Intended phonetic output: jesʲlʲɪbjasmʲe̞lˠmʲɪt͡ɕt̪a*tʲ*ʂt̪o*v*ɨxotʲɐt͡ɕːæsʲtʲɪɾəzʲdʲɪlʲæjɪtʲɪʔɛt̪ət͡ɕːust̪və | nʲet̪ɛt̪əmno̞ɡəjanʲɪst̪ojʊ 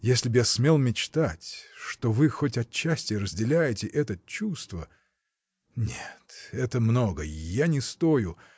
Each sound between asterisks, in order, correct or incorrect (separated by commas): correct, correct